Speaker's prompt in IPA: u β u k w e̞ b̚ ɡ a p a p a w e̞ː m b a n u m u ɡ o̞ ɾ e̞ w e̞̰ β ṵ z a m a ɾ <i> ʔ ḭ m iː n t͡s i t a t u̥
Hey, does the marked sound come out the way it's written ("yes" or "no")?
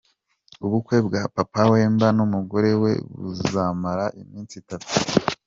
no